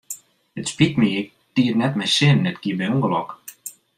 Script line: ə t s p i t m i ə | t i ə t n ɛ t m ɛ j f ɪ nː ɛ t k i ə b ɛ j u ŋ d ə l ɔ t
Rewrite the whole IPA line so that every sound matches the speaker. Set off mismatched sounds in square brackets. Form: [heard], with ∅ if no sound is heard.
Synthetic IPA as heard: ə t s p i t m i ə | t i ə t n ɛ t m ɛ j [s] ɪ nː ɛ t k i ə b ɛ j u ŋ [ɡ] ə l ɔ [k]